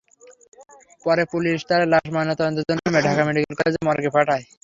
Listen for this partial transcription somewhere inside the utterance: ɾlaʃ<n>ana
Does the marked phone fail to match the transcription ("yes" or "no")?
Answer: yes